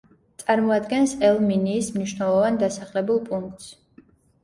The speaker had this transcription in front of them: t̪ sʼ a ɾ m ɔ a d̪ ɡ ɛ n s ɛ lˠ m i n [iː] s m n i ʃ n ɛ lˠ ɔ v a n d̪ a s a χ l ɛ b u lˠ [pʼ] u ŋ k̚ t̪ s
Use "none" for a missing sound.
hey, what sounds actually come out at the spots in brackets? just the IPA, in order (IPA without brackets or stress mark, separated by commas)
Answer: iː, pʼ